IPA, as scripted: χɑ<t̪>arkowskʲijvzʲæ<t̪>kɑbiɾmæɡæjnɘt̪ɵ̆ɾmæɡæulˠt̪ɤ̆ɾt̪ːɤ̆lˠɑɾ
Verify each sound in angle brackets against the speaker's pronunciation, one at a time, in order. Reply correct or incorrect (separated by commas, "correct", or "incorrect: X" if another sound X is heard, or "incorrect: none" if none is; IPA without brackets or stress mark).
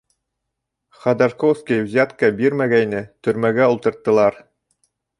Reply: incorrect: d̪, correct